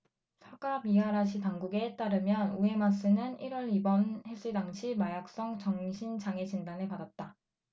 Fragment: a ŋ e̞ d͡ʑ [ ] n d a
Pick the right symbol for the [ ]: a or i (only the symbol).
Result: i